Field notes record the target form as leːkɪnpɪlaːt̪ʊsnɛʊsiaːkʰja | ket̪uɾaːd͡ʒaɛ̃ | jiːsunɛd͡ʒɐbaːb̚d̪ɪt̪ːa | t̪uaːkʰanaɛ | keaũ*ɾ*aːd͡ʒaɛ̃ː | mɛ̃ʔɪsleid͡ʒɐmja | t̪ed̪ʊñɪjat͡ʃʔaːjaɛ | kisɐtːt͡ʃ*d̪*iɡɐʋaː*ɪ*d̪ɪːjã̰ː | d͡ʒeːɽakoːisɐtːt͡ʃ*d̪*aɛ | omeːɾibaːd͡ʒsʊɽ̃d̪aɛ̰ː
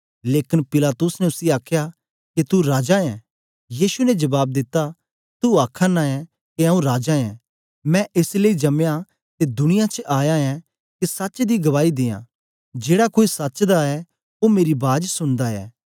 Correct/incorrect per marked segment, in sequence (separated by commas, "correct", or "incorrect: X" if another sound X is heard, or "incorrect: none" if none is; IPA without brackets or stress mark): correct, correct, incorrect: i, correct